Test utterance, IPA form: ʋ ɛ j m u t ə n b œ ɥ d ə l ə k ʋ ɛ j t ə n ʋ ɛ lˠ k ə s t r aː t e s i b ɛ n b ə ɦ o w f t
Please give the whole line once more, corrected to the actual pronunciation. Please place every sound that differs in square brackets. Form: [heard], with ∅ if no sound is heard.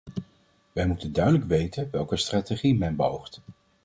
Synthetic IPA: ʋ ɛ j m u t ə n [d] œ ɥ d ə l ə k ʋ [e] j t ə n ʋ ɛ lˠ k ə s t r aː t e [χ] i [m] ɛ n b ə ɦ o w [χ] t